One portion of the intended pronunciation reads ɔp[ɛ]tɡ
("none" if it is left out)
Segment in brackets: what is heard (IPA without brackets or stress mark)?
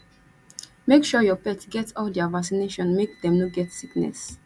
ɛ